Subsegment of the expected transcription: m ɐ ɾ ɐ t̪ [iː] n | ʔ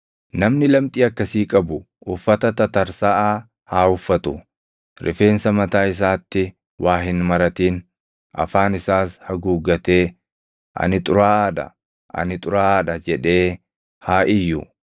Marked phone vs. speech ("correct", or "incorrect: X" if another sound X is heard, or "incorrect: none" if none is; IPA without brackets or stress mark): correct